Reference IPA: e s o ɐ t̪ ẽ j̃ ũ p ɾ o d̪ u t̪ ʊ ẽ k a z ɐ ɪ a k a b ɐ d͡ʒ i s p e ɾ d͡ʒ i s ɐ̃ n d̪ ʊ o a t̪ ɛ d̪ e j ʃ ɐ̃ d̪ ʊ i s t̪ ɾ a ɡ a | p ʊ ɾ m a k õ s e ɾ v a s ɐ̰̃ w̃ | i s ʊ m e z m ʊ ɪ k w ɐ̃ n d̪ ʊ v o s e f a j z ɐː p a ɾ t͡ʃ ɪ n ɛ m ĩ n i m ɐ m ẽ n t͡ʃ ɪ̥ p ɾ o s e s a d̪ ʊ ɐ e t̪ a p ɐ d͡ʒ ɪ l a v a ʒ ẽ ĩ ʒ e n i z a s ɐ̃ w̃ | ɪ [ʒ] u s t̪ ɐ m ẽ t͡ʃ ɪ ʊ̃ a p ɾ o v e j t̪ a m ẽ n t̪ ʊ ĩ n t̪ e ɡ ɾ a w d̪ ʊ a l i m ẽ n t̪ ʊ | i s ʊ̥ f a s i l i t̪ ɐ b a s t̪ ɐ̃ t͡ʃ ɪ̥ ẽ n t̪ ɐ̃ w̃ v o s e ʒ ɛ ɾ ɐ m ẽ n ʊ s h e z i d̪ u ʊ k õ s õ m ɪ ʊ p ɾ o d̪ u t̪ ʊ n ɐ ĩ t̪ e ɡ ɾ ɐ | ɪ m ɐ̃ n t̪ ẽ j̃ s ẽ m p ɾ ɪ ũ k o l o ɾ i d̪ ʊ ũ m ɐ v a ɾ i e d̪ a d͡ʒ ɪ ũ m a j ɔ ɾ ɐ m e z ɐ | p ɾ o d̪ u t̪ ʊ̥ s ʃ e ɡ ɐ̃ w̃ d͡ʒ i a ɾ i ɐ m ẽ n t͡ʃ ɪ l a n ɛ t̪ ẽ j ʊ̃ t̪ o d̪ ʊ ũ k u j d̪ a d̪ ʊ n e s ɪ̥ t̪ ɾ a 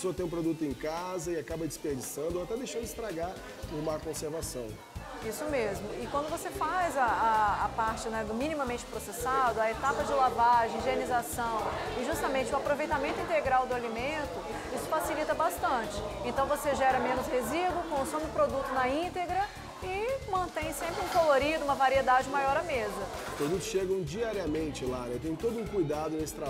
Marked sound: correct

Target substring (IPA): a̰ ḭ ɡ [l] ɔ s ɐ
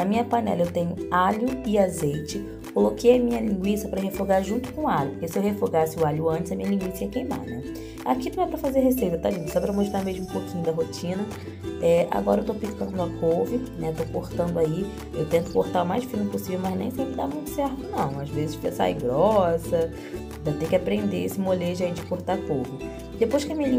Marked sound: incorrect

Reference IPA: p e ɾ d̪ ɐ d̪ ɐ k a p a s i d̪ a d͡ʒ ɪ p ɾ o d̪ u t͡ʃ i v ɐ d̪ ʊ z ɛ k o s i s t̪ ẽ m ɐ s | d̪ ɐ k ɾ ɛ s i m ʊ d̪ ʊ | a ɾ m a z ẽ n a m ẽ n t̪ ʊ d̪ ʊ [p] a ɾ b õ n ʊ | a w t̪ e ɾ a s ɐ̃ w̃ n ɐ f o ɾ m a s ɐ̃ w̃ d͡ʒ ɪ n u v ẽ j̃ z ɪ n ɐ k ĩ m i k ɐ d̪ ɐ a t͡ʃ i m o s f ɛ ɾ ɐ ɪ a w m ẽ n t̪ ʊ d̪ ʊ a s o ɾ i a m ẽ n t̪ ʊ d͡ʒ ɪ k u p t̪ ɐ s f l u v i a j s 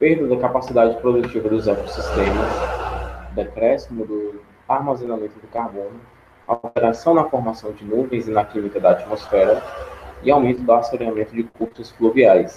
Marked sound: incorrect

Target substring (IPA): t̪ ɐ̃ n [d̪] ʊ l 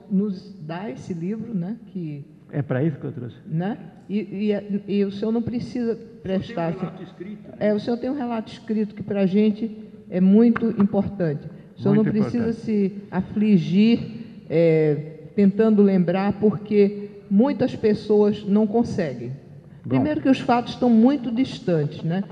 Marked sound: correct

